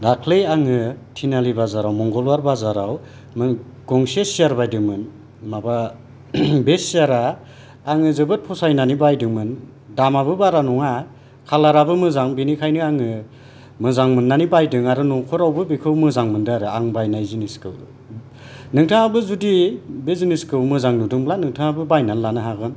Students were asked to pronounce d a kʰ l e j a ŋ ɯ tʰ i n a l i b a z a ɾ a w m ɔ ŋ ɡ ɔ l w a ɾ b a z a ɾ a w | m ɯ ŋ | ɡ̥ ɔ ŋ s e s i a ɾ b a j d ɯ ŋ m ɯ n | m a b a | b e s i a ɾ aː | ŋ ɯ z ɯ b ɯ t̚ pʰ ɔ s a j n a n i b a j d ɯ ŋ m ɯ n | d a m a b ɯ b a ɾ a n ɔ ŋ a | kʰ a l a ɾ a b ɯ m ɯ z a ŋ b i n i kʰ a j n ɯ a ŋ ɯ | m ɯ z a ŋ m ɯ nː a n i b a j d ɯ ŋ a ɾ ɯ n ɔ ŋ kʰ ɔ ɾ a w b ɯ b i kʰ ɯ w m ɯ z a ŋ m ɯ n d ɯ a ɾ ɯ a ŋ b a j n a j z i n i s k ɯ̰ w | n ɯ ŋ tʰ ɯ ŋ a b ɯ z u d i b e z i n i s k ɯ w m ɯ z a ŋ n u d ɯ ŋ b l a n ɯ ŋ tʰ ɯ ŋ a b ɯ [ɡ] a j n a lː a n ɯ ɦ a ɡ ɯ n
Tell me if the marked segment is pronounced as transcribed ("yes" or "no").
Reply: no